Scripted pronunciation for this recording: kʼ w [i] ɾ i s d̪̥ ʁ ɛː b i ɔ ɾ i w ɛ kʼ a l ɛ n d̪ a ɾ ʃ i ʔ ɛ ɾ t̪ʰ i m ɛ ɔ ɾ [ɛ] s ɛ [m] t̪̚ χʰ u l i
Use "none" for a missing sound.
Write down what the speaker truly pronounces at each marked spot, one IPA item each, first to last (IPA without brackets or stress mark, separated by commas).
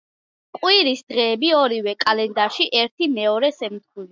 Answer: i, ɛ, m